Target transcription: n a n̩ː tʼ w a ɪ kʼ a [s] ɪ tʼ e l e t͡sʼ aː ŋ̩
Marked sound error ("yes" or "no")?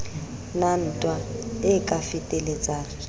yes